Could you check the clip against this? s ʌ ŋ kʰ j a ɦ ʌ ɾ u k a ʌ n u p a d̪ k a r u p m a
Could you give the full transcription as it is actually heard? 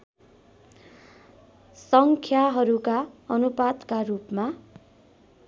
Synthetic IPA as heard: s ʌ ŋ kʰ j a ɦ ʌ ɾ u k a ʌ n u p a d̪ k a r u p m a